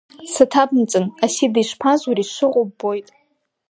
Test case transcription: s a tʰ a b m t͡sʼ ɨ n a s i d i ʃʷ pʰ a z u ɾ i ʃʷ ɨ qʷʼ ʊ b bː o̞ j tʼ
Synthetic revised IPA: s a tʰ a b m t͡sʼ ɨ n a s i d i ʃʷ pʰ a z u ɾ i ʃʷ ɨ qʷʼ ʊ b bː o̞ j tʼ